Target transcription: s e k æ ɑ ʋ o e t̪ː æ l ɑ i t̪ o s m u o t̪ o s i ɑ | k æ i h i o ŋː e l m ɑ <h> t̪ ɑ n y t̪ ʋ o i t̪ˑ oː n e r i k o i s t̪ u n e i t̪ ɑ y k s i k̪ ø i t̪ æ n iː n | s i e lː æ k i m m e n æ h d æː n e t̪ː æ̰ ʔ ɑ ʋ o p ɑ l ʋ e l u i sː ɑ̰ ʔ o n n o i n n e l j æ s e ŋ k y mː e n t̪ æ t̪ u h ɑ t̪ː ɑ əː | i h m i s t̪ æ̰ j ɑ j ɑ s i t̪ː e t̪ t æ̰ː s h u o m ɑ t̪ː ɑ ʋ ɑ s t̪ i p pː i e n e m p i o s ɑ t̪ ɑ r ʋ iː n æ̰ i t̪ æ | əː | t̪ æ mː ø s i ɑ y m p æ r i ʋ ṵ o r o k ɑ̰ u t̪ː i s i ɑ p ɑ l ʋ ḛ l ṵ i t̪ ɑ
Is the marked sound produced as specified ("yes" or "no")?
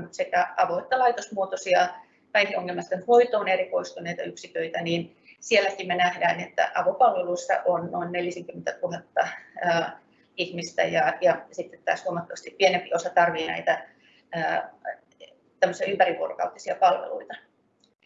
no